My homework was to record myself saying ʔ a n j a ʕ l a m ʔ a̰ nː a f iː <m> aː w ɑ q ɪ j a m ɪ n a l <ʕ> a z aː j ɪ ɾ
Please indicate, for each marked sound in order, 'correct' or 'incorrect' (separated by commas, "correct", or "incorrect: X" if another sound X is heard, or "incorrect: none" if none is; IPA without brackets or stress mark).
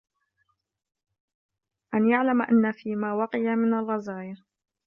correct, incorrect: ɣ